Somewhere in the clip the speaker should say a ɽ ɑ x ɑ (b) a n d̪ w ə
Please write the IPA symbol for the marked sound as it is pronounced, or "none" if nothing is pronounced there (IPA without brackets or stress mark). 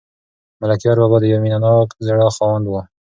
w